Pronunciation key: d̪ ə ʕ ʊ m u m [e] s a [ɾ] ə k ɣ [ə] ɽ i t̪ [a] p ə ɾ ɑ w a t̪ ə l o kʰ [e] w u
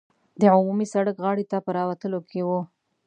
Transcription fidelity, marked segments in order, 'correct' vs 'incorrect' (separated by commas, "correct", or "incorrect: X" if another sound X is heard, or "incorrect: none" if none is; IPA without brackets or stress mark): incorrect: i, incorrect: ɽ, incorrect: ɑ, correct, correct